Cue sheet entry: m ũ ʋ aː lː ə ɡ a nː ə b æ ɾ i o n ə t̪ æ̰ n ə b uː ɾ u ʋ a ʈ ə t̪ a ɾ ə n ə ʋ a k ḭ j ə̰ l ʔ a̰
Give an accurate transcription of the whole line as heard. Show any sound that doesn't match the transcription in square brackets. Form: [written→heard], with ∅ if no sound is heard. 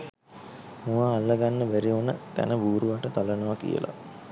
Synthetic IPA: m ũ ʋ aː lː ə ɡ a nː ə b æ ɾ i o n ə t̪ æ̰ n ə b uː ɾ u ʋ a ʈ ə t̪ a [ɾ→l] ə n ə ʋ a k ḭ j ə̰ l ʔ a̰